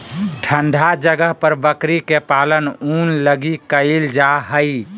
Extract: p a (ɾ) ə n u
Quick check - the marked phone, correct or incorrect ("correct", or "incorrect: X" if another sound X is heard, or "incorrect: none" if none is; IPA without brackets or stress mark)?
incorrect: l